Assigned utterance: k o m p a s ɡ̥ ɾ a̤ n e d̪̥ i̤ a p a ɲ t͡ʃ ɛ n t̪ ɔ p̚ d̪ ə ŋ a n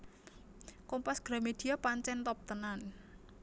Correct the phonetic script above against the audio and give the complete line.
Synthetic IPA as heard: k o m p a s ɡ̥ ɾ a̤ m e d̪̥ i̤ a p a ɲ t͡ʃ ɛ n t̪ ɔ p̚ t̪ ə n a n